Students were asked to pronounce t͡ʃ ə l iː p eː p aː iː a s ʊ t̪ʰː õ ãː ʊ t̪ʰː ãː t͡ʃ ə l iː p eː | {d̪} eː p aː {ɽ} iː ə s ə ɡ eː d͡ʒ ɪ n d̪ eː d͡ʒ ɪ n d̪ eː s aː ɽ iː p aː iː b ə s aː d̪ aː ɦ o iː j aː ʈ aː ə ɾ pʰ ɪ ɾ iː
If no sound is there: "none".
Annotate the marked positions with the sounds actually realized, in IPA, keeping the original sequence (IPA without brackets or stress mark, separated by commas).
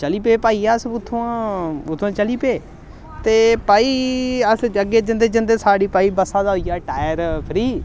t̪, none